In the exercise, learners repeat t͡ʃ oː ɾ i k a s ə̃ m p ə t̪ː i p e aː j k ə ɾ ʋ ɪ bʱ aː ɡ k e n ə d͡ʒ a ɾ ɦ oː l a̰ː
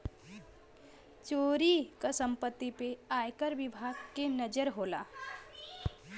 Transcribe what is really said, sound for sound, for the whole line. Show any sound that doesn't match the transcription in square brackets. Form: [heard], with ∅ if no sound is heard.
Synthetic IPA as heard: t͡ʃ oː ɾ i k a s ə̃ m p ə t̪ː i p e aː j k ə ɾ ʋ ɪ bʱ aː ɡ k e n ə d͡ʒ [ə] ɾ ɦ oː l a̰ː